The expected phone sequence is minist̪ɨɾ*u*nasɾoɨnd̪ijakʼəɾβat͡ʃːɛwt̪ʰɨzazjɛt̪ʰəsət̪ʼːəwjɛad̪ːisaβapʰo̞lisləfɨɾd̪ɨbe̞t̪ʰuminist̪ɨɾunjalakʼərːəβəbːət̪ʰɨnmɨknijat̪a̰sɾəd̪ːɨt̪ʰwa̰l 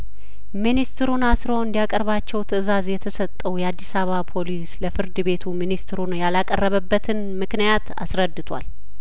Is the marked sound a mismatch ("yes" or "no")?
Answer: no